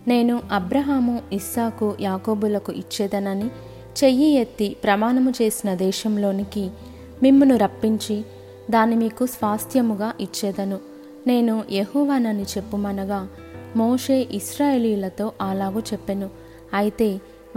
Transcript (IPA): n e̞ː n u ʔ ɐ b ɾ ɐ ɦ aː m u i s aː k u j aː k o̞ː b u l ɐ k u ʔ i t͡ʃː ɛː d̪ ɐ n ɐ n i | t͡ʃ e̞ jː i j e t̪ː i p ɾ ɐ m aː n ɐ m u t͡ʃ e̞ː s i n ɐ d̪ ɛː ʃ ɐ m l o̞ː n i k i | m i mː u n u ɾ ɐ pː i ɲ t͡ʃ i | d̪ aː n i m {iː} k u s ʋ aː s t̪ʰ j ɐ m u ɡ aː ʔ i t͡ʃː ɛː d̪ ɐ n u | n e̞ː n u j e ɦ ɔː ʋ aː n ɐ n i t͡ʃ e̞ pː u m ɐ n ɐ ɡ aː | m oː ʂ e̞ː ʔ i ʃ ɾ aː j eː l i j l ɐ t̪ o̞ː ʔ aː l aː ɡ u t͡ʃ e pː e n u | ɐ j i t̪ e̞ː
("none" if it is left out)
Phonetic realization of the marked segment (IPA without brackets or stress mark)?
iː